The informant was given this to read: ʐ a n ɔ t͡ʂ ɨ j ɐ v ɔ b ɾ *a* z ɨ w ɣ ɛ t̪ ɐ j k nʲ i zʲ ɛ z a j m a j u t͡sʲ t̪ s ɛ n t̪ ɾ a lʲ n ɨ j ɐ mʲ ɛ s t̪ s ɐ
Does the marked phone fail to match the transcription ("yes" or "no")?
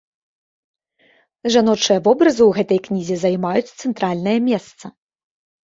yes